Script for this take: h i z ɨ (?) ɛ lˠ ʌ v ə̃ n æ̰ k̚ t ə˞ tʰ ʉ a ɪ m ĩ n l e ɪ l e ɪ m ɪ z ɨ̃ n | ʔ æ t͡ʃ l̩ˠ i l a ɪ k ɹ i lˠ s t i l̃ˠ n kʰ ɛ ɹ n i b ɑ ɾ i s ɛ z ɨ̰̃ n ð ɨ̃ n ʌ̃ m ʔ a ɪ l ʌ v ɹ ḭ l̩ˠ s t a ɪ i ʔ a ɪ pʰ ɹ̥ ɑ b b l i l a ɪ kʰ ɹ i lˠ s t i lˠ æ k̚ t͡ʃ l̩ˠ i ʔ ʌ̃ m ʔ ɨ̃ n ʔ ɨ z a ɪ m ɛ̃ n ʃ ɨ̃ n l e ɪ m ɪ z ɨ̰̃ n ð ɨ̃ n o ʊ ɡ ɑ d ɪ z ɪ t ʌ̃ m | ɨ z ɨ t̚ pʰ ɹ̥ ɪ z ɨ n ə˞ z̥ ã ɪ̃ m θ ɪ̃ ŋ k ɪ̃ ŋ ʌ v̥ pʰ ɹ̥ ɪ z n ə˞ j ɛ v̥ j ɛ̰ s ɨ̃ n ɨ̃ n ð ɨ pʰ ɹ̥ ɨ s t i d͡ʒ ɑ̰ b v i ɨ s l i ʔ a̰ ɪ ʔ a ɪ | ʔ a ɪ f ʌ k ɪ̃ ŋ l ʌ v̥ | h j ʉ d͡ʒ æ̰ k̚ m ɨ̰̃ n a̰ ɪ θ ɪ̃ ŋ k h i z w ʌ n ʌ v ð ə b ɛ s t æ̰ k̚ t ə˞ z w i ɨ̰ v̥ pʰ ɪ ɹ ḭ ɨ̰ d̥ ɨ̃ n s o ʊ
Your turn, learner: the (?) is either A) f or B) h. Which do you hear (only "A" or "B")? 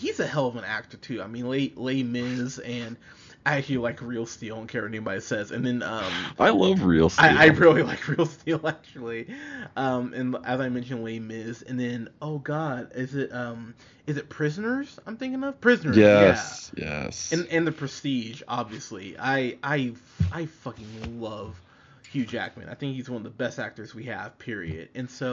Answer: B